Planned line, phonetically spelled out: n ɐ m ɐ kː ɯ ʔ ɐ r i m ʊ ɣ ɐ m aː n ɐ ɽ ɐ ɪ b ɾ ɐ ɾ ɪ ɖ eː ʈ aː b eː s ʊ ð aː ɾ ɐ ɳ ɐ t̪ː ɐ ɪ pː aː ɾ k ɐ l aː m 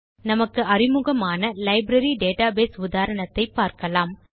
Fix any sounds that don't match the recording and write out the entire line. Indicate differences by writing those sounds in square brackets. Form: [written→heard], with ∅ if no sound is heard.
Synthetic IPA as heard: n ɐ m ɐ kː ɯ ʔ ɐ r [i→ɪ] m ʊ ɣ ɐ m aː n ɐ [ɽ→l] ɐ ɪ b ɾ ɐ ɾ [ɪ→i] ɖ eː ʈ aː b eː s ʊ ð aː ɾ ɐ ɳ ɐ t̪ː ɐ ɪ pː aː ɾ k ɐ l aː m